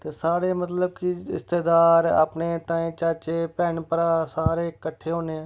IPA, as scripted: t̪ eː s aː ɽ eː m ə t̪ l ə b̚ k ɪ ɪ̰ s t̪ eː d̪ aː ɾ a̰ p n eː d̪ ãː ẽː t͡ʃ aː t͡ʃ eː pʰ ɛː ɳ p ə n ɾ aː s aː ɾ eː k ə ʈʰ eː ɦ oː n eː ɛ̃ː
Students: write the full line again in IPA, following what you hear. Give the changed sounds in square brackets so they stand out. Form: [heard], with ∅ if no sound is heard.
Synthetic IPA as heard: t̪ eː s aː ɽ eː m ə t̪ l ə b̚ k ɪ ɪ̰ s t̪ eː d̪ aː ɾ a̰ p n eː [t̪] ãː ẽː t͡ʃ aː t͡ʃ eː [p] ɛː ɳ p ə [∅] ɾ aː s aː ɾ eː k ə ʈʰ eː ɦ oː n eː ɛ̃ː